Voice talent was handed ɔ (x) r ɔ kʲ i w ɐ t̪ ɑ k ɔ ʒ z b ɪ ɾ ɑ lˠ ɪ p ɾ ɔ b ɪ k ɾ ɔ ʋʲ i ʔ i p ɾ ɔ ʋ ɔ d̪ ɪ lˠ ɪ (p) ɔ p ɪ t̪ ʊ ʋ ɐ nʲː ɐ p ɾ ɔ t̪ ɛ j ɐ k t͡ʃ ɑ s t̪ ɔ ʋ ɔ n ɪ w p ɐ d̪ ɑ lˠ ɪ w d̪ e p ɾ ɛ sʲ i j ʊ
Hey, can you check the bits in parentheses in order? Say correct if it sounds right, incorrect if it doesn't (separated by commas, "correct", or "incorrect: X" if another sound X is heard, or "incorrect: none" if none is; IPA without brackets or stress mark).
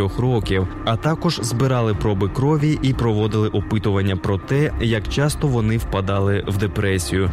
correct, incorrect: ʔ